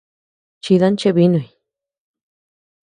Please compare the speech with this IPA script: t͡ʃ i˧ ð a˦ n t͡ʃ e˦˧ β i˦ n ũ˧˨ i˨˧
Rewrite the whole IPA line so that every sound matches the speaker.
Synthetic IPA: t͡ʃ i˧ ð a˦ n t͡ʃ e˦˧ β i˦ n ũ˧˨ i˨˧